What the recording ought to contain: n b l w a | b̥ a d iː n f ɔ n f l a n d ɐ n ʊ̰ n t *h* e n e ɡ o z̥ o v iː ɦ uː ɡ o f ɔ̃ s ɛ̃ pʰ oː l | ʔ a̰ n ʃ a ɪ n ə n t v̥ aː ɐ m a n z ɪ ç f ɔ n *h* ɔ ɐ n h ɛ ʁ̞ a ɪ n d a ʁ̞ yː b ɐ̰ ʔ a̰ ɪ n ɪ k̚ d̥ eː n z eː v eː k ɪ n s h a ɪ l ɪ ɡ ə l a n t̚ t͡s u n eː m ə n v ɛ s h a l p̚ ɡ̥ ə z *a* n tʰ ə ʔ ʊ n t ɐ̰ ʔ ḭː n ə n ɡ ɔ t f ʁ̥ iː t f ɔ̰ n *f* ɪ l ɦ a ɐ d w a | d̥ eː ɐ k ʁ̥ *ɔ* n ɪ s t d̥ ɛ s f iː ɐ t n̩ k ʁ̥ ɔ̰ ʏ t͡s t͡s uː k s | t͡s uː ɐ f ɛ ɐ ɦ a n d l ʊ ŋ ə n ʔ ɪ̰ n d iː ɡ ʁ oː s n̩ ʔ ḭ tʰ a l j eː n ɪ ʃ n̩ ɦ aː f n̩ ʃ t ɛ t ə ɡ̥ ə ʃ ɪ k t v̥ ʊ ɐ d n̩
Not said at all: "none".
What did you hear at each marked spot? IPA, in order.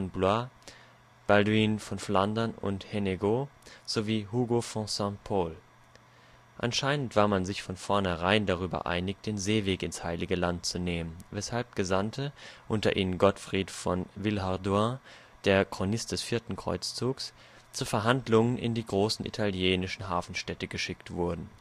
h, f, a, v, o

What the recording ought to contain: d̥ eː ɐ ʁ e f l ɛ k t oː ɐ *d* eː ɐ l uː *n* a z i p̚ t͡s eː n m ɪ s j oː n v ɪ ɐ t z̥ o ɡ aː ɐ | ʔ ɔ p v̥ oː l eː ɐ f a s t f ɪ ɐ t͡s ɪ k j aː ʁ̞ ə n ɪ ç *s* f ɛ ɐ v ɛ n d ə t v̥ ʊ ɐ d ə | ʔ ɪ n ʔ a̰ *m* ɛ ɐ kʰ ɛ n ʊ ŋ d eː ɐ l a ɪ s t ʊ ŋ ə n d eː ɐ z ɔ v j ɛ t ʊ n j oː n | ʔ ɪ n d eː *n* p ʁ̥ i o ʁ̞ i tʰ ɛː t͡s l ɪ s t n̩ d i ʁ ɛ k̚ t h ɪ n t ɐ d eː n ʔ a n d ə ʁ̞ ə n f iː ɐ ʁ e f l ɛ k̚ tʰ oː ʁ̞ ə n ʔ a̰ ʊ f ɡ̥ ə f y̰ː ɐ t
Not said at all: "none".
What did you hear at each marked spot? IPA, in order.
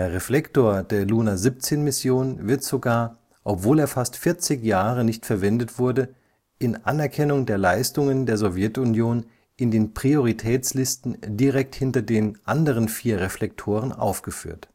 d, n, t, n, n

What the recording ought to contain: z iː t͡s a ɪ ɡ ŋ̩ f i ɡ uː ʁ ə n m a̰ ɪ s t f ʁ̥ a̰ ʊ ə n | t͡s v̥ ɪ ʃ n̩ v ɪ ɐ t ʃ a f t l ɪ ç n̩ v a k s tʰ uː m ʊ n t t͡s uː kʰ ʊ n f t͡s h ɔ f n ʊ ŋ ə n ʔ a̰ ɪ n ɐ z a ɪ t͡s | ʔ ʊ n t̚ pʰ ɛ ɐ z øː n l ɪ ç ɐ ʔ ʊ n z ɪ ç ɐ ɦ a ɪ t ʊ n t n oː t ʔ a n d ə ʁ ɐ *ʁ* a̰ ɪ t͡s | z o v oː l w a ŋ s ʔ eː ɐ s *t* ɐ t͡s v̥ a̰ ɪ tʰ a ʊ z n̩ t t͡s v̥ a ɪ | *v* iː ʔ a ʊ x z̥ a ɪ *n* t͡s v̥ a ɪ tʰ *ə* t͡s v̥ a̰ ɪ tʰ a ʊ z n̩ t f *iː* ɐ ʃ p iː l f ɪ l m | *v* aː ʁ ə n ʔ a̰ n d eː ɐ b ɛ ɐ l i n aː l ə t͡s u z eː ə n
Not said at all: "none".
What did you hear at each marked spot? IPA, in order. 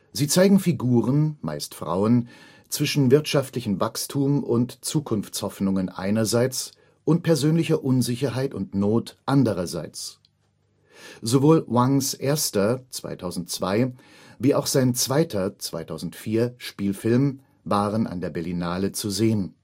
z, t, v, n, ɐ, iː, v

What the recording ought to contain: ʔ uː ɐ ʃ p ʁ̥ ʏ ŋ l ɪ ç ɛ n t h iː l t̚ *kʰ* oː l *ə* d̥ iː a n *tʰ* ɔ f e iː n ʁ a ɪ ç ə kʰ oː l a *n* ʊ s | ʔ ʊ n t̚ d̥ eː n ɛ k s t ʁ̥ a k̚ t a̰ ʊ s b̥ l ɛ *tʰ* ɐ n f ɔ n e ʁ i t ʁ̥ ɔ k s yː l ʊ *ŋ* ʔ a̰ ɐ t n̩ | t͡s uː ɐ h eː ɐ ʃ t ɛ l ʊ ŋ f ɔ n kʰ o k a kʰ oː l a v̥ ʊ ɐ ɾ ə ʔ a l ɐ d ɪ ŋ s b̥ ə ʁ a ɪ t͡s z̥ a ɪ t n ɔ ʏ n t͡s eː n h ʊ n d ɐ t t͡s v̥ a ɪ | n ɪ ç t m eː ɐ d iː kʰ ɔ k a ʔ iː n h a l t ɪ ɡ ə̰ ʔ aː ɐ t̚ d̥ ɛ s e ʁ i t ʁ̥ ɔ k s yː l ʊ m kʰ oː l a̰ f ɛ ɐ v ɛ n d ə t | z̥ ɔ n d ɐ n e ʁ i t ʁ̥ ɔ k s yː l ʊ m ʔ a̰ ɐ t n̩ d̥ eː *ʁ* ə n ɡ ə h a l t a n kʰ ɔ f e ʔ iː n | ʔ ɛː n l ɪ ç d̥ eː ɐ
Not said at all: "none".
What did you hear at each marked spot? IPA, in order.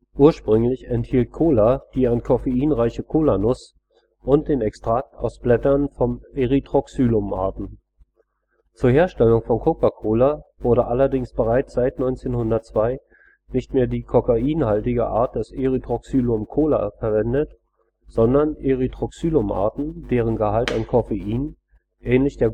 kʰ, a, kʰ, n, t, m, ʁ

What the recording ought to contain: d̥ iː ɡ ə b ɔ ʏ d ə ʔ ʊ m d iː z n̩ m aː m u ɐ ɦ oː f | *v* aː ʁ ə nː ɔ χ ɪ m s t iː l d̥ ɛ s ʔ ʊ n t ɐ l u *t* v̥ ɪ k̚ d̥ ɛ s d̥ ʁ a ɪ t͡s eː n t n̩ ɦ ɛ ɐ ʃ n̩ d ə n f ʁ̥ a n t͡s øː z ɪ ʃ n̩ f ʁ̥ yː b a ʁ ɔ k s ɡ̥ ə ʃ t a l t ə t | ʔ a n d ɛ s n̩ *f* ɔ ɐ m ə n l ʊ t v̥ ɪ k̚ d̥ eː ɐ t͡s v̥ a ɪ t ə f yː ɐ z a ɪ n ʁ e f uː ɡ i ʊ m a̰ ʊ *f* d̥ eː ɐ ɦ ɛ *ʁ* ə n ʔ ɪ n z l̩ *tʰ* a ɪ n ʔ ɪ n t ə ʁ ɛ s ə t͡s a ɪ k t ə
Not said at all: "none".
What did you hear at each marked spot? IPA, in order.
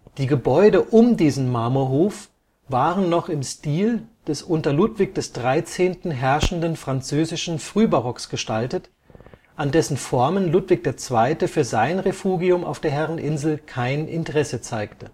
v, t, f, f, ʁ, kʰ

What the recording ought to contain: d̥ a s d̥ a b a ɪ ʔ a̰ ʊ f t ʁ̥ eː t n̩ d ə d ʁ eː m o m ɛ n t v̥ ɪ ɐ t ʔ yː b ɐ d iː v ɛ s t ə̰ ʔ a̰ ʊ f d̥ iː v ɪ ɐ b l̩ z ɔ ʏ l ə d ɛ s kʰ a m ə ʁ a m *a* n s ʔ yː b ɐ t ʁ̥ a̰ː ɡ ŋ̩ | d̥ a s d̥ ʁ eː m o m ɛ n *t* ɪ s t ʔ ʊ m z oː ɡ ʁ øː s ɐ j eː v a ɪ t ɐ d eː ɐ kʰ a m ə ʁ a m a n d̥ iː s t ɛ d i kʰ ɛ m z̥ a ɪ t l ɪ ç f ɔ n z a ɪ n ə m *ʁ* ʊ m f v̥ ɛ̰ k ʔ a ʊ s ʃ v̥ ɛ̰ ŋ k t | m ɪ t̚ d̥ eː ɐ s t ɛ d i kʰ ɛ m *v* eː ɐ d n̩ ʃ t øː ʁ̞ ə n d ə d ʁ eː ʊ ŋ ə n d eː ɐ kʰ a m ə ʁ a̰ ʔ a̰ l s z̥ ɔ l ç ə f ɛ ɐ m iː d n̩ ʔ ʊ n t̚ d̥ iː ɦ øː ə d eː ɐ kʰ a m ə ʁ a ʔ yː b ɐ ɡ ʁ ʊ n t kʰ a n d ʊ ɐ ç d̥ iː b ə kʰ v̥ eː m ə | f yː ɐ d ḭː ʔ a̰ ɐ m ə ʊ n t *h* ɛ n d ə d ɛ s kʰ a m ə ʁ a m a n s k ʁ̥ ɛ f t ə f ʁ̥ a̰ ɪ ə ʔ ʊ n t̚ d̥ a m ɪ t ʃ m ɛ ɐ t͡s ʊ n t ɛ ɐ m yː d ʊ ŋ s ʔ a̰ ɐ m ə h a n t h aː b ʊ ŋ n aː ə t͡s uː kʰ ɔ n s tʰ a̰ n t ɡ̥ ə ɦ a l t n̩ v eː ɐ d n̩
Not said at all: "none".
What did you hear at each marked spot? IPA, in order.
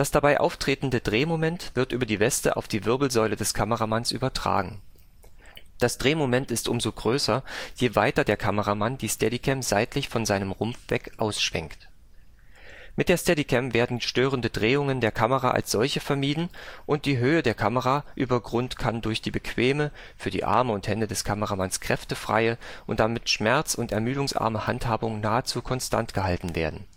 a, t, ʁ, v, h

